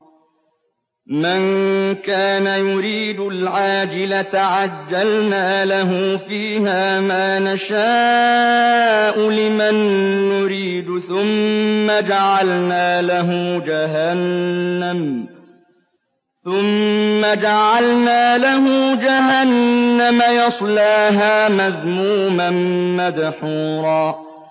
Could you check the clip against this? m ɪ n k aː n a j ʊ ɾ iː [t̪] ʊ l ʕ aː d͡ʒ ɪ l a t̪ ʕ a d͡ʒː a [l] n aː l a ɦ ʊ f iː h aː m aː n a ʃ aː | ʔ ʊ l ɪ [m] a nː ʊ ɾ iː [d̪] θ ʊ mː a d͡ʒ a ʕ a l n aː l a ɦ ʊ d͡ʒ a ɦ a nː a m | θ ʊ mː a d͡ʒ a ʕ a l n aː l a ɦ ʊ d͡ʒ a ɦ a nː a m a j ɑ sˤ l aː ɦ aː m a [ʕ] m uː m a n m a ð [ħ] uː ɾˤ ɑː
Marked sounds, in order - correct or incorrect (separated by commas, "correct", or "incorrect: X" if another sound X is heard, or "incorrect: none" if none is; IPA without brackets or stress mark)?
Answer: incorrect: d̪, correct, correct, correct, incorrect: ð, correct